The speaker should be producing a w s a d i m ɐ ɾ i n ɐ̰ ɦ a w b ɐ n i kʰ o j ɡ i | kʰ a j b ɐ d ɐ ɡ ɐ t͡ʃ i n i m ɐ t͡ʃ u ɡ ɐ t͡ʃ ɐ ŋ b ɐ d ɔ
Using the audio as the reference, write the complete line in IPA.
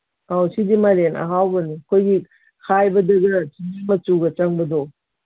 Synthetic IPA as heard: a w s i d i m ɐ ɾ e n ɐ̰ ɦ a w b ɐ n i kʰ o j ɡ i | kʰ a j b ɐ d ɐ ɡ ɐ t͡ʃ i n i m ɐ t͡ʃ u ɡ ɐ t͡ʃ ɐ ŋ b ɐ d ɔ